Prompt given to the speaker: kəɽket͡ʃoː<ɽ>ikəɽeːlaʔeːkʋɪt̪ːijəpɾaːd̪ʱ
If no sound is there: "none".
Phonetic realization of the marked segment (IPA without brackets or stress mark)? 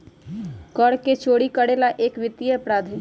ɽ